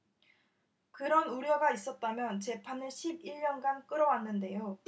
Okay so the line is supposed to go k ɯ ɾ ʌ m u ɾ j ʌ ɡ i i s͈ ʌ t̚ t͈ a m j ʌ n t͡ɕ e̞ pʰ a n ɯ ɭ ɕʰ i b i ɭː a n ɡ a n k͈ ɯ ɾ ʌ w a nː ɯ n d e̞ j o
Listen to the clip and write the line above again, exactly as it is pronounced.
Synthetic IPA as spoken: k ɯ ɾ ʌ n u ɾ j ʌ ɡ a i s͈ ʌ t̚ t͈ a m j ʌ n t͡ɕ e̞ pʰ a n ɯ ɭ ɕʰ i b i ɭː ʌ n ɡ a n k͈ ɯ ɾ ʌ w a nː ɯ n d e̞ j o